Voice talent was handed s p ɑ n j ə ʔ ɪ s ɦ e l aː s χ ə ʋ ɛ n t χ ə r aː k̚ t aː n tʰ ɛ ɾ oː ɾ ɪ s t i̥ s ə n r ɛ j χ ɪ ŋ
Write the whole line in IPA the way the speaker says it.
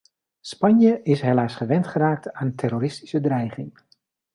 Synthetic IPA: s p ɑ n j ə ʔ ɪ s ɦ e l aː s χ ə ʋ ɛ n t χ ə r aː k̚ t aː n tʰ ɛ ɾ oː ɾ ɪ s t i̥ s ə d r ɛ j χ ɪ ŋ